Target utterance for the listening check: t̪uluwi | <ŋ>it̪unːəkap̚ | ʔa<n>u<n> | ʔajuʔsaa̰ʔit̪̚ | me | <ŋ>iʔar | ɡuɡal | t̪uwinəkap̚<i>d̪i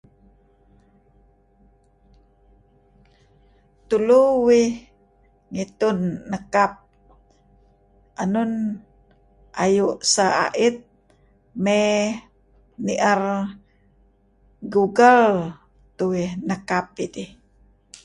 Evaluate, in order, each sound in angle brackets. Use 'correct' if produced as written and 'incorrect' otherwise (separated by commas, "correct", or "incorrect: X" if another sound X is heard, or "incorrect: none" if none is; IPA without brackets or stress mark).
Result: correct, correct, correct, incorrect: n, correct